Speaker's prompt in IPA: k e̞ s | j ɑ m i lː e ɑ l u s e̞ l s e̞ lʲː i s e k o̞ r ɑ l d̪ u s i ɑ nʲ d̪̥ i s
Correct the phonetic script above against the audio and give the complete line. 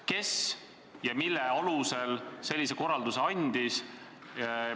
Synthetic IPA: k e̞ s | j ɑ m i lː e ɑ l u s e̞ l s e̞ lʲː i s e k o̞ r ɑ l d̪ u s e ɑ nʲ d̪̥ i s